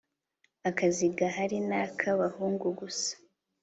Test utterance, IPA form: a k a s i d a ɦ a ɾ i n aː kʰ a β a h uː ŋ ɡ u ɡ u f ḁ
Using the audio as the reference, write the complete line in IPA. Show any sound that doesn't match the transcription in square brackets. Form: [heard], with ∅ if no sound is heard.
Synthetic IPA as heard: a k a [z] i [ɡ] a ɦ a ɾ i n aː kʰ a β a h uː ŋ ɡ u ɡ u [s] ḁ

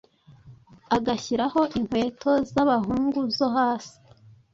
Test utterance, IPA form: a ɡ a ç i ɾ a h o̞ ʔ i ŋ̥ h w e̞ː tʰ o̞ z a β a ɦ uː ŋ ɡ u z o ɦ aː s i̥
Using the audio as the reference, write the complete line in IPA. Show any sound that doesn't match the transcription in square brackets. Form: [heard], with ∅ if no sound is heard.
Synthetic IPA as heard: a ɡ a ç i ɾ a h o̞ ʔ i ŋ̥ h w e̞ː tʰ o̞ z a β a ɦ uː ŋ ɡ u z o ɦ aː s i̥

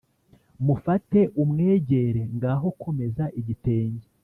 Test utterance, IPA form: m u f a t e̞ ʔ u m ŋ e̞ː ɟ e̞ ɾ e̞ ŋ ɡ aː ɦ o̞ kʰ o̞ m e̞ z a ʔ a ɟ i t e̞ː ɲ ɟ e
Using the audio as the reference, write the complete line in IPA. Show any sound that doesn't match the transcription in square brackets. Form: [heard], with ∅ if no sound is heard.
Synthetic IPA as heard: m u f a t e̞ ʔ u m ŋ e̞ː ɟ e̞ ɾ e̞ ŋ ɡ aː ɦ o̞ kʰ o̞ m e̞ z a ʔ [i] ɟ i t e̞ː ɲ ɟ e

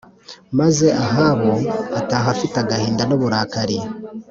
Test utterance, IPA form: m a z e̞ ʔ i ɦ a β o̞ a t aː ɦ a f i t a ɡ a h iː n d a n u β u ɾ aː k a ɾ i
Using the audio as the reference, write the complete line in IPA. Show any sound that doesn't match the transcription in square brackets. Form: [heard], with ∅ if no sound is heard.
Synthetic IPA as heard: m a z e̞ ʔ [a] ɦ a β o̞ a t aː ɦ a f i t a ɡ a h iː n d a n [o] β u ɾ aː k a ɾ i

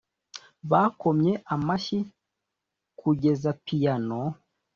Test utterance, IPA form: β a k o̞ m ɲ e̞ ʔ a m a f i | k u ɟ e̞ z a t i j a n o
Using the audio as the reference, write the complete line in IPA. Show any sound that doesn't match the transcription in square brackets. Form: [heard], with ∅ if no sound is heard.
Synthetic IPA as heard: β a k o̞ m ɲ e̞ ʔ a m a [ʃ] i | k u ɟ e̞ z a [p] i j a n o

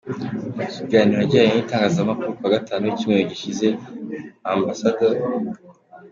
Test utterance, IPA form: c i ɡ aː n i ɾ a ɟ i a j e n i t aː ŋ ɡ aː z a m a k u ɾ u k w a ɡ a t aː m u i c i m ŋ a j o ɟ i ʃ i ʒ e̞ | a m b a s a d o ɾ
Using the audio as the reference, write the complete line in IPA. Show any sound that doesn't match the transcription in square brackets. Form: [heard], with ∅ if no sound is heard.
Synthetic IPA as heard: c i ɡ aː n i ɾ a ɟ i a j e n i t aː ŋ ɡ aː z a m a k u ɾ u k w a ɡ a t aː [n] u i c i m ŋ [e] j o ɟ i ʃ i [z] e̞ | a m b a s a d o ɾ

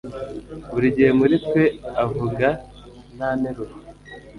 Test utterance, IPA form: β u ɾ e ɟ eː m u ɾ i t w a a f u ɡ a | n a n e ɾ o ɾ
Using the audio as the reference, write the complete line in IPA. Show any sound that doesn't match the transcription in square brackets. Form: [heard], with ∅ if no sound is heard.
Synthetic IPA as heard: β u ɾ [i] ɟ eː m u ɾ i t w [e] a [v] u ɡ a | n a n e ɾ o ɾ

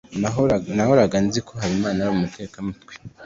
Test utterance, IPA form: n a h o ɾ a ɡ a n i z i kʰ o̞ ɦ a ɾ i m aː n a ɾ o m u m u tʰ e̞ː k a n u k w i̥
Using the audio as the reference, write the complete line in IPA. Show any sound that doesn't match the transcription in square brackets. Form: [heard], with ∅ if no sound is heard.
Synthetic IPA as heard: n a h o ɾ a ɡ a n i z i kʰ o̞ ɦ a ɾ i m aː n a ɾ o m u m u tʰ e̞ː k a [m] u [t] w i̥

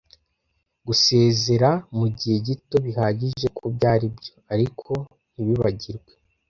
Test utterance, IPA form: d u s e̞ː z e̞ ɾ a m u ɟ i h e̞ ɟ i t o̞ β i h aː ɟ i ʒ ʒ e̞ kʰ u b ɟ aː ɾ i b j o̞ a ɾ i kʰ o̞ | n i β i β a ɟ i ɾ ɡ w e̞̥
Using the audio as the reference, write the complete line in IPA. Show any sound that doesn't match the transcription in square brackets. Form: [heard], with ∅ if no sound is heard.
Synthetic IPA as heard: [ɡ] u s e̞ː z e̞ ɾ a m u ɟ i h e̞ ɟ i t o̞ β i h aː ɟ i ʒ ʒ e̞ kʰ u b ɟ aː ɾ i b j o̞ a ɾ i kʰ o̞ | n i β i β a ɟ i ɾ ɡ w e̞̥

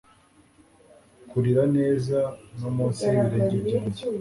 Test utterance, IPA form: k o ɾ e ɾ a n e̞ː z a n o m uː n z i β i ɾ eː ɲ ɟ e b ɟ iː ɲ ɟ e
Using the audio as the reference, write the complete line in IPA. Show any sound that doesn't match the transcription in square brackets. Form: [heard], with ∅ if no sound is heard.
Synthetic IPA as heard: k [u] ɾ [i] ɾ a n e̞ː z a n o m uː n [s] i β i ɾ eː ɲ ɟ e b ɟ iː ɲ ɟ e

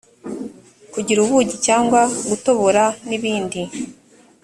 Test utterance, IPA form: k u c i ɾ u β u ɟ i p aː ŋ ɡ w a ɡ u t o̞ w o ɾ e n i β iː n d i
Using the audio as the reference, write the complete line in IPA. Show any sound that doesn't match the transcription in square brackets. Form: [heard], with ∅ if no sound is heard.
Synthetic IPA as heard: k u [ɟ] i ɾ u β u ɟ i [c] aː ŋ ɡ w a ɡ u t o̞ [β] o ɾ [a] n i β iː n d i

